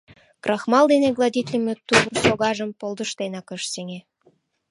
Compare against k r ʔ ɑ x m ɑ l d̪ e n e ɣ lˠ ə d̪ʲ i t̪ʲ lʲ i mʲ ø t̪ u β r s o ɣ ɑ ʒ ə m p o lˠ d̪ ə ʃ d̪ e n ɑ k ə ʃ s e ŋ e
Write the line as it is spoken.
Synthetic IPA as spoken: k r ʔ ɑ x m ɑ l d̪ e n e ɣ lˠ ɑ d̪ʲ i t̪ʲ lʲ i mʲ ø t̪ u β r s o ɣ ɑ ʒ ə m p o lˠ d̪ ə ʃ t̪ e n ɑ k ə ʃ s e ŋ e

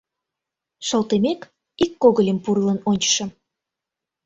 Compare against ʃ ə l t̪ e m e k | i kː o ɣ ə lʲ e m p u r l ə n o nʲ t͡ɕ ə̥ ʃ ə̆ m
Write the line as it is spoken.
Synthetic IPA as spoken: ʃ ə l t̪ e m e k | i kː o ɣ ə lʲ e m p u r l ə n o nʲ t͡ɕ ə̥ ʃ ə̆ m

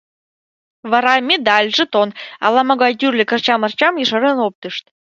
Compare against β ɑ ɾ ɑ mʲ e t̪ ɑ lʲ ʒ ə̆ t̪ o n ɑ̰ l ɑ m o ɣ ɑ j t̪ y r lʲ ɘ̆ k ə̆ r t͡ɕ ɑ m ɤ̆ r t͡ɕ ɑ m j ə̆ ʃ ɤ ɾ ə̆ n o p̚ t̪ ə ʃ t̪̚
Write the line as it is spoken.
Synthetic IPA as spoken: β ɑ ɾ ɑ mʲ e d̪ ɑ lʲ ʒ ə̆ t̪ o n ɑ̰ l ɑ m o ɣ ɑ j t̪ y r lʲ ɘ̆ k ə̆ r t͡ɕ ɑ m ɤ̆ r t͡ɕ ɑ m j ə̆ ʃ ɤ ɾ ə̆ n o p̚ t̪ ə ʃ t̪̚

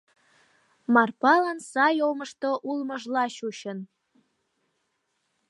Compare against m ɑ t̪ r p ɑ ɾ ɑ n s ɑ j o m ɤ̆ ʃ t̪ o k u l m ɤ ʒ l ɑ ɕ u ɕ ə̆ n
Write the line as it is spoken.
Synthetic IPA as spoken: m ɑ r p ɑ l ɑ n s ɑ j o m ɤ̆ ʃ t̪ o ʔ u l m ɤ ʒ l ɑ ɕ u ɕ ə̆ n

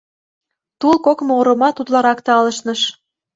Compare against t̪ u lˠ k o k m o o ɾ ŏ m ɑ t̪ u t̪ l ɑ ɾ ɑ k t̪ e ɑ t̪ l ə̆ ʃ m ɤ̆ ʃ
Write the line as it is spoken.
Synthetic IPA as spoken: t̪ u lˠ k o k m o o ɾ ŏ m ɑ t̪ u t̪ l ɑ ɾ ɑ k t̪ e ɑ l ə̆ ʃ n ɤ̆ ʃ

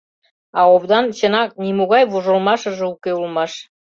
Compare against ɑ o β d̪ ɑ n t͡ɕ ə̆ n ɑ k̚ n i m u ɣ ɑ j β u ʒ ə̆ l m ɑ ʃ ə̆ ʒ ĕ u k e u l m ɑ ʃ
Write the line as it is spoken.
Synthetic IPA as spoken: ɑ o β d̪ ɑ n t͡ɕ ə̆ n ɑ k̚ n i m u ɣ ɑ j β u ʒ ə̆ l m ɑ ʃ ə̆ ʒ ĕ u k e u l m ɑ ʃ

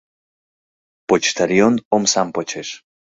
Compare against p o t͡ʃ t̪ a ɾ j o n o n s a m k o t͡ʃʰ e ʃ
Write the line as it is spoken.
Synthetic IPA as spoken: p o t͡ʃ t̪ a ɾ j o n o m s a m p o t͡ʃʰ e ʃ

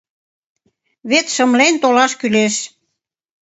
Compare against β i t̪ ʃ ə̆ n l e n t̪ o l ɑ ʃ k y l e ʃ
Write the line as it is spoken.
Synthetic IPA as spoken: β e t̪ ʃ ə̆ m l e n t̪ o l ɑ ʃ k y l e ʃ

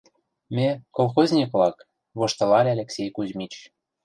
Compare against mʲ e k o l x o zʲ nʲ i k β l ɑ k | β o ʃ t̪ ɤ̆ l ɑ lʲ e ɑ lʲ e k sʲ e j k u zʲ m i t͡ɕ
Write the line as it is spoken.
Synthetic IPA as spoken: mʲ e k o l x o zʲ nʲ i k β l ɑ k | β o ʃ t̪ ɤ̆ l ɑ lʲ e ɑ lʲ e k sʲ e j k u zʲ m i t͡ɕ

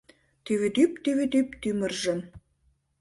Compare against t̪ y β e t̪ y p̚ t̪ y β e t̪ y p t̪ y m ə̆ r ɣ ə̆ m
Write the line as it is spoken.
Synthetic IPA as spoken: t̪ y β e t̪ y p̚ t̪ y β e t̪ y p t̪ y m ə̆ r ʒ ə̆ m

